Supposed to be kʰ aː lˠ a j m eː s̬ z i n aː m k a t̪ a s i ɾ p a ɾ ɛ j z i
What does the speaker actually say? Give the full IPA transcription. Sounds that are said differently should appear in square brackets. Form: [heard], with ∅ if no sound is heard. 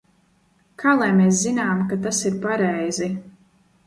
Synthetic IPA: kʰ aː lˠ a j m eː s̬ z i n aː m k a t̪ a s i ɾ p a ɾ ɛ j z i